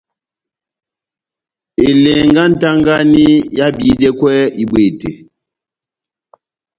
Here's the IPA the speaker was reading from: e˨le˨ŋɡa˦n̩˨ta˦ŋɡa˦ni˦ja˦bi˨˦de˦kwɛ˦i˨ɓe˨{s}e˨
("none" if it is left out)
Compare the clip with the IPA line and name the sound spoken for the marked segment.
t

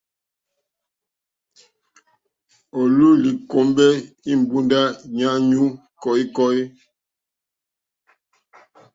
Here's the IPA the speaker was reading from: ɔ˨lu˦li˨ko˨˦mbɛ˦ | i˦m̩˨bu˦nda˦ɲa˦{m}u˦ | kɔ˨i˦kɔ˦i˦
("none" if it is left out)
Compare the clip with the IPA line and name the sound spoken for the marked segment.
ɲ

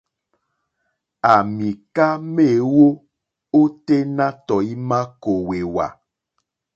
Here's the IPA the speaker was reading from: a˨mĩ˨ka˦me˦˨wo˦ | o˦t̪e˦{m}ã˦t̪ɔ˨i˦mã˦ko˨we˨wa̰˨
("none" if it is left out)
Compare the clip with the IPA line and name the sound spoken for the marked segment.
n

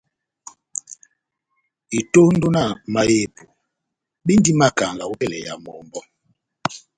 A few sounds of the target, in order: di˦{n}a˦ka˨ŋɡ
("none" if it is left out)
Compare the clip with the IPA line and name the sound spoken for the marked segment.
m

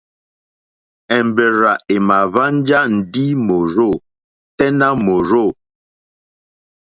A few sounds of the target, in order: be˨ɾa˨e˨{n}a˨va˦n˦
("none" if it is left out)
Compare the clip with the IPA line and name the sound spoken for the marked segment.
m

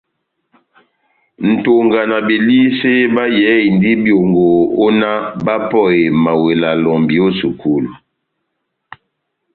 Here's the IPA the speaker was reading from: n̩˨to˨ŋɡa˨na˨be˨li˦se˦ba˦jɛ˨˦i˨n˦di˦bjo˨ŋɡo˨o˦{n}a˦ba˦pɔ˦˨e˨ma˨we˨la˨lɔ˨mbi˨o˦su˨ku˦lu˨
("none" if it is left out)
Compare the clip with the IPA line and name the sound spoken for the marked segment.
n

